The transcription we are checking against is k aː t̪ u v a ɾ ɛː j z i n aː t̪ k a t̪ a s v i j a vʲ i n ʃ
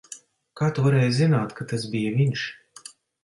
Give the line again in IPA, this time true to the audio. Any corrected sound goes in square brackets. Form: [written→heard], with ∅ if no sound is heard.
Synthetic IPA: k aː t̪ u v a ɾ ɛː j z i n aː t̪ k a t̪ a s [v→b] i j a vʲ i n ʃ